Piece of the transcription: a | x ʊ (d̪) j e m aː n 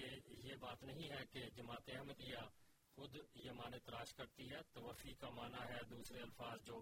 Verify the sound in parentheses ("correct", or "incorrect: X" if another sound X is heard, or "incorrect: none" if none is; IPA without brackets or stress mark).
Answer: correct